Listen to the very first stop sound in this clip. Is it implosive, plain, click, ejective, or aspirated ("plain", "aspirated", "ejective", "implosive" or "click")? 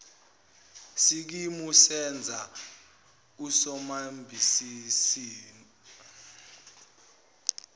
plain